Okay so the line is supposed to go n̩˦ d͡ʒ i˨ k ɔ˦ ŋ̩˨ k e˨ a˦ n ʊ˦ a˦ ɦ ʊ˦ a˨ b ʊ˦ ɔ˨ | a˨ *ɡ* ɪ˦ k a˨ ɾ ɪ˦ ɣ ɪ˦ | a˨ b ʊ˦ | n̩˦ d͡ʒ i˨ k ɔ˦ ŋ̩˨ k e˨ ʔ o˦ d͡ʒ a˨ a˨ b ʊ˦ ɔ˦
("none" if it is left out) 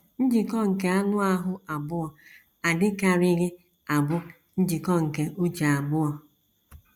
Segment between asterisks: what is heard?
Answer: d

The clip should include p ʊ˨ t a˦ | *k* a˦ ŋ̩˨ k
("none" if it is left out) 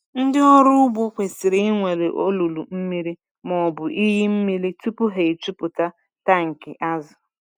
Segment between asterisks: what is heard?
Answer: t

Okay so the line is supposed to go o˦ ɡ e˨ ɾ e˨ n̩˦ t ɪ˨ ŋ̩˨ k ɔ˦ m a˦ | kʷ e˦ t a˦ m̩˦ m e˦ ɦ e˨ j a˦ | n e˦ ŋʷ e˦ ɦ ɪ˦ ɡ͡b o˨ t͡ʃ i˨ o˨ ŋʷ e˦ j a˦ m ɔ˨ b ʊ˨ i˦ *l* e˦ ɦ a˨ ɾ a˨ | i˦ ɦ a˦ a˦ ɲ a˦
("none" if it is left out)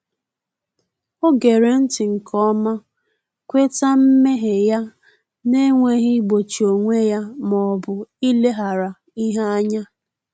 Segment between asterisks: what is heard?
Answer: l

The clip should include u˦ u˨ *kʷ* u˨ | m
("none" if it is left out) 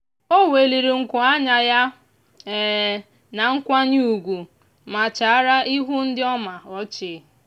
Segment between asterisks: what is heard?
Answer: ɡʷ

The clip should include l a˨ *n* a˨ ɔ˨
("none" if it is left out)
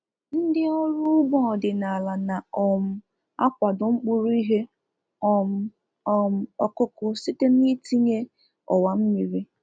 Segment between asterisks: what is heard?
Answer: n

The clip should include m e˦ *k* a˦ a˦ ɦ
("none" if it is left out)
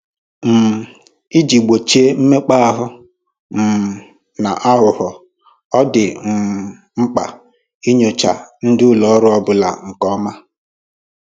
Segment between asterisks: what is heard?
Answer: k͡p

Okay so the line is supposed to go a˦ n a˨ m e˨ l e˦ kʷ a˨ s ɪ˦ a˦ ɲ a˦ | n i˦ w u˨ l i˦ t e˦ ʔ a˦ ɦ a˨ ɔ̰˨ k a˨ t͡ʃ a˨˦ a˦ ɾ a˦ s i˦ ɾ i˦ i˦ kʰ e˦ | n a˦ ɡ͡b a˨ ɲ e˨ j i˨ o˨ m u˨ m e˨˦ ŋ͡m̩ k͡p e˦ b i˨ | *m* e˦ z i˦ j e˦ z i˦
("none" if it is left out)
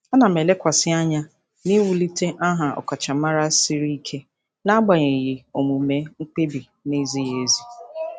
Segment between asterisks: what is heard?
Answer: n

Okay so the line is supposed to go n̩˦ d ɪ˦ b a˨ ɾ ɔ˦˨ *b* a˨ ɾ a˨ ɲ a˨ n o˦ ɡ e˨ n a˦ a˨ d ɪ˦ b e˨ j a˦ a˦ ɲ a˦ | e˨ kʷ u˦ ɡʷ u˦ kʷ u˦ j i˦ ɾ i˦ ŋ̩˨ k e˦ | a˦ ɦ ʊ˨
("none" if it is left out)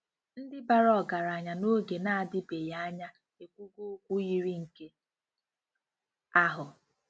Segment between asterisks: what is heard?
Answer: ɡ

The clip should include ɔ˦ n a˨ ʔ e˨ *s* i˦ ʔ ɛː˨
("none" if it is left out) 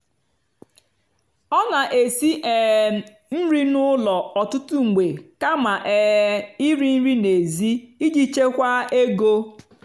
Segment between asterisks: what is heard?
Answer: s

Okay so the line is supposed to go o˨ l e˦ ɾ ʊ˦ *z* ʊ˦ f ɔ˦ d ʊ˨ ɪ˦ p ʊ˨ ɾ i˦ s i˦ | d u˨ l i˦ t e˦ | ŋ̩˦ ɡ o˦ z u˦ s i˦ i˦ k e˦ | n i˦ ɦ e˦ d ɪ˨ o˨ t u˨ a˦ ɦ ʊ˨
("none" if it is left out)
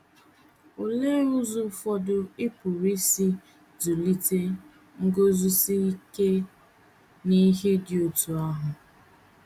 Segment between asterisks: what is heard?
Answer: z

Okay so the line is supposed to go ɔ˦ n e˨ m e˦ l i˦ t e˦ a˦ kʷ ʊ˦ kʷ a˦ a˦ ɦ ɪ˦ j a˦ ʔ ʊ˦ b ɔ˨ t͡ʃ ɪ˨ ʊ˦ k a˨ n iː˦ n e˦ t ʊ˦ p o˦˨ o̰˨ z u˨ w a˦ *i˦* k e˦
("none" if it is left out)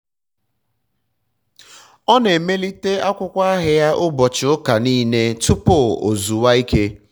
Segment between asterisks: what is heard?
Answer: i˦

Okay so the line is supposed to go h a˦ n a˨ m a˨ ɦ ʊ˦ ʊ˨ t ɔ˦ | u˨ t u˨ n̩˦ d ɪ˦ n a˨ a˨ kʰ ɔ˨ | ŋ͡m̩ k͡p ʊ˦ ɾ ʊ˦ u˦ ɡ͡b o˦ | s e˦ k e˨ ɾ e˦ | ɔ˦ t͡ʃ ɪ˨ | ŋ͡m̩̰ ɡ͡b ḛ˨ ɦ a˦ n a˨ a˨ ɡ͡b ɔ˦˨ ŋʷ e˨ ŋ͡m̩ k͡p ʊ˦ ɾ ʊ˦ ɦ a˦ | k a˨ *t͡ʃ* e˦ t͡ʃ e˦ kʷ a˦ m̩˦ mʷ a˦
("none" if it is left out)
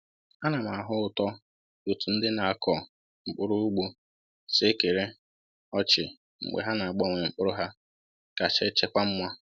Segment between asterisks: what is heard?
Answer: t͡ʃ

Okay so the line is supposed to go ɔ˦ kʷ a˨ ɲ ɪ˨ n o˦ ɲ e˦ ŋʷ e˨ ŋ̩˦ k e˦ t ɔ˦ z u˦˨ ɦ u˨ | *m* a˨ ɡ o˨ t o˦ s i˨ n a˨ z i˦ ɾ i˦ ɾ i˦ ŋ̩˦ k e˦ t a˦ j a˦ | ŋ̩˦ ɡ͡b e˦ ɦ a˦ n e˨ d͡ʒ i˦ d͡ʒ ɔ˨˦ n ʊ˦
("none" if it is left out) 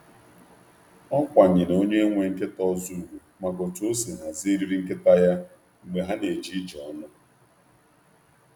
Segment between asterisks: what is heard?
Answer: m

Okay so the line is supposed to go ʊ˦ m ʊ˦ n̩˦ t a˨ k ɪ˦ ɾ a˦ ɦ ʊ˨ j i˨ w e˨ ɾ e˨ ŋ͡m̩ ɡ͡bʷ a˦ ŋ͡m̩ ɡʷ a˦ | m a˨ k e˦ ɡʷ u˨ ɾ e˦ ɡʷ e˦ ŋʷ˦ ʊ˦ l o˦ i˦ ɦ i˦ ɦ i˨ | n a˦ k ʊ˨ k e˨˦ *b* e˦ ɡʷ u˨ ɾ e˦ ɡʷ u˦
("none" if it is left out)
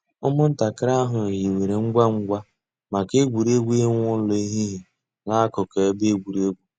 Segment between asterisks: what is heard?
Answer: b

